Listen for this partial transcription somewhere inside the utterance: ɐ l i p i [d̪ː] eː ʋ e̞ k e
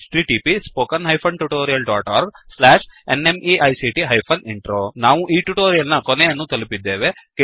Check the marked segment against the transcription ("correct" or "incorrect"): correct